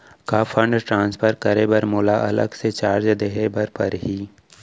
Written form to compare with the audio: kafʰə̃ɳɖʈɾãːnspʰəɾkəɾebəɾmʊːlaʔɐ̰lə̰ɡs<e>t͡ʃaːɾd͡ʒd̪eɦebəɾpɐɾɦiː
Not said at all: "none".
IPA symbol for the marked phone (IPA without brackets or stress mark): e